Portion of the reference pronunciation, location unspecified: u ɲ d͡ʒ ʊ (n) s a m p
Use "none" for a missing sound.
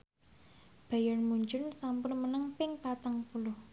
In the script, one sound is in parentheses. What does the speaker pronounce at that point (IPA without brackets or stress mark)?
n